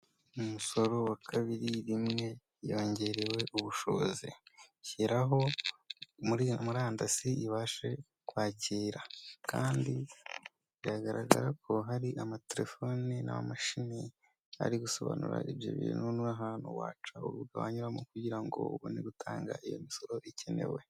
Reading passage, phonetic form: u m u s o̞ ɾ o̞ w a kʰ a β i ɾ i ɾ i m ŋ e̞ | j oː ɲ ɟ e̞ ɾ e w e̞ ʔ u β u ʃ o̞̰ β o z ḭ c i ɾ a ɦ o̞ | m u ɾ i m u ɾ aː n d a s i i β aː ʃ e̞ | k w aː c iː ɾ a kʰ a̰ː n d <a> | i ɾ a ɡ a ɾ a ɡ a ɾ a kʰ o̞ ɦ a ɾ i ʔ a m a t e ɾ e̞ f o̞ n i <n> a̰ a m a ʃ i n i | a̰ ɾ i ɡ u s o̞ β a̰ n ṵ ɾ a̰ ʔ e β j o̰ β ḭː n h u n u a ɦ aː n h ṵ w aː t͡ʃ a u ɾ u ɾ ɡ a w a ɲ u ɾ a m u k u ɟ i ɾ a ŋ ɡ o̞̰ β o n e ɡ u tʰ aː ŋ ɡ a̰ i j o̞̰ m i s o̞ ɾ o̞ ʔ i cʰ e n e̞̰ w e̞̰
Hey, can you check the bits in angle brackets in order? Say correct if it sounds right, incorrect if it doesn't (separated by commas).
incorrect, correct